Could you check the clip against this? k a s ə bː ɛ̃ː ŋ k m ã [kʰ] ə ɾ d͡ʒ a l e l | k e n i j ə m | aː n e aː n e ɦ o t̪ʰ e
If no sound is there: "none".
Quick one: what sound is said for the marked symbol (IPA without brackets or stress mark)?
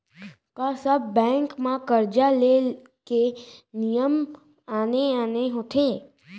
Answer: k